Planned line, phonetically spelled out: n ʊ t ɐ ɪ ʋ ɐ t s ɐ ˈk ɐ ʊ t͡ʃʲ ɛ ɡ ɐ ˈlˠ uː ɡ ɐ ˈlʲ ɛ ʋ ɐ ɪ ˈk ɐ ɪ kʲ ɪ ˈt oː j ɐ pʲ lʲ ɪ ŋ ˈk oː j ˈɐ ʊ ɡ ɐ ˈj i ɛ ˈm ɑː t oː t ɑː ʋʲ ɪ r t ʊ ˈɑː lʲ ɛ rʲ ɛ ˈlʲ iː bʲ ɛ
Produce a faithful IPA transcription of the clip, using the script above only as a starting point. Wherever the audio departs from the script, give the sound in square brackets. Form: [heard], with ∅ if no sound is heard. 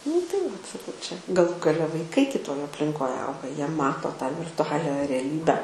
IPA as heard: n ʊ t ɐ ɪ ʋ ɐ t s ɐ ˈk ɐ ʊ t͡ʃʲ ɛ ɡ ɐ ˈlˠ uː ɡ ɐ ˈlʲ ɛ ʋ ɐ ɪ ˈk ɐ ɪ kʲ ɪ ˈt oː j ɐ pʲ lʲ ɪ ŋ ˈk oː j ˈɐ ʊ ɡ ɐ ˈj i ɛ ˈm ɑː t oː t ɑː ʋʲ ɪ r t ʊ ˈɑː lʲ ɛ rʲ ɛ ˈlʲ iː bʲ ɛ